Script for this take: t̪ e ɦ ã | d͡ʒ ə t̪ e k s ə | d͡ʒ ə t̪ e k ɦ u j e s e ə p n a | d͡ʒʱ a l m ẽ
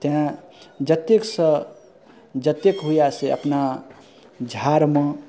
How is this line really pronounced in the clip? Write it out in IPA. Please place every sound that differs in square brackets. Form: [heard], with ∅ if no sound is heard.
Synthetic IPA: t̪ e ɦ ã | d͡ʒ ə t̪ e k s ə | d͡ʒ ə t̪ e k ɦ u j [a] s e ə p n a | d͡ʒʱ a [ɾ] m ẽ